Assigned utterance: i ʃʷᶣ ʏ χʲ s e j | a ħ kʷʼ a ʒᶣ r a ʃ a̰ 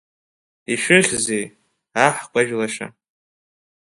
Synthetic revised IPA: i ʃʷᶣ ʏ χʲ z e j | a ħ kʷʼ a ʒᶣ l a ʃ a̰